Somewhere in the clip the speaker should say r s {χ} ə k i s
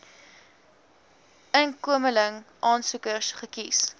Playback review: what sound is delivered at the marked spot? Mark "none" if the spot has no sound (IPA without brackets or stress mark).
χ